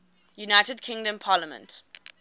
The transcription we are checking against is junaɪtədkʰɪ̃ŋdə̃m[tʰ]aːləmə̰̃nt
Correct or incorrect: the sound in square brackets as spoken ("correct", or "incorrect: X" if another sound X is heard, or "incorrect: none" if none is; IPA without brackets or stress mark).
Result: incorrect: pʰ